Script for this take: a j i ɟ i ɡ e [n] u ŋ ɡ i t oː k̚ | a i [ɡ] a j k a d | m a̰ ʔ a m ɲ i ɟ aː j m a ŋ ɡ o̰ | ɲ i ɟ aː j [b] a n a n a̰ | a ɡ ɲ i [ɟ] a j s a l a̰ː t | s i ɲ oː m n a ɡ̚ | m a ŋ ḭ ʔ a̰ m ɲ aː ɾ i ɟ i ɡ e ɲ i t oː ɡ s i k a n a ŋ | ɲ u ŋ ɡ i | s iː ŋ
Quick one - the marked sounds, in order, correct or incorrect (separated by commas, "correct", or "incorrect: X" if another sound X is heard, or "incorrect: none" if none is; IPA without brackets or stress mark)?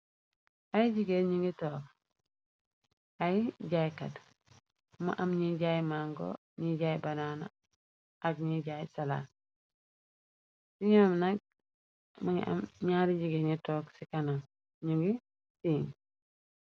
incorrect: ɲ, incorrect: ɟ, correct, correct